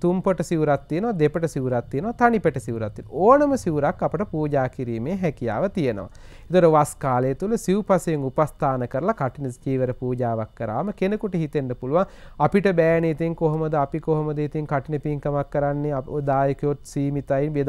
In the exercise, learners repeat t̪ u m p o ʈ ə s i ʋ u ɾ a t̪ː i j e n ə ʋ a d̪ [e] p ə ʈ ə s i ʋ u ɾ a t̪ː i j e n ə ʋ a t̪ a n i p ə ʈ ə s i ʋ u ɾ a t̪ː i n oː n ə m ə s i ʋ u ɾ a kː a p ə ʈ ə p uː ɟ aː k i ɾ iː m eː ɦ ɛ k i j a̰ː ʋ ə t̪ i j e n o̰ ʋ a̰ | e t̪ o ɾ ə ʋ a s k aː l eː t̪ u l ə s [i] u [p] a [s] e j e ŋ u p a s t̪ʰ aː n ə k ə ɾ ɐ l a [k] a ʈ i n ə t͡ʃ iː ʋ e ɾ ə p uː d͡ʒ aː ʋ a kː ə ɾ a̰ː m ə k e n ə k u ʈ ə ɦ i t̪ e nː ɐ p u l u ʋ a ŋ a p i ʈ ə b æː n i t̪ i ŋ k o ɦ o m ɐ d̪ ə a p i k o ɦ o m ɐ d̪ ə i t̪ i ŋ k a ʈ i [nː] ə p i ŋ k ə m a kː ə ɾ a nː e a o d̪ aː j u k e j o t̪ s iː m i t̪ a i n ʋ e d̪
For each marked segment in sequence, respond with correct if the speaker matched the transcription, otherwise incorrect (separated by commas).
correct, correct, correct, correct, correct, incorrect